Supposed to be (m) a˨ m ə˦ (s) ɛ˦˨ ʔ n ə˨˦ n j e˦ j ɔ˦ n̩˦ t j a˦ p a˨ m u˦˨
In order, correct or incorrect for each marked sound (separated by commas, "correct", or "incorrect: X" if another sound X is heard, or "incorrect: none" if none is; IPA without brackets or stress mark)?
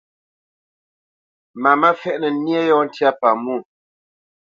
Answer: correct, incorrect: f